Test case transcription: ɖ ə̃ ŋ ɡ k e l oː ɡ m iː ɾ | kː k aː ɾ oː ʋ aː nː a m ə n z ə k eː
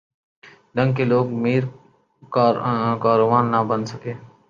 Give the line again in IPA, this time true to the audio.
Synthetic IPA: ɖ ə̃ ŋ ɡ k e l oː ɡ m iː ɾ | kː k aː ɾ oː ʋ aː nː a b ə n s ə k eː